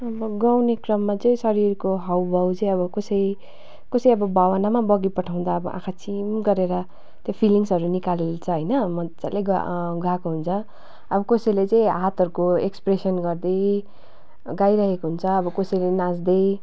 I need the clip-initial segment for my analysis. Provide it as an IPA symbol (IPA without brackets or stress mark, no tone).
ʌ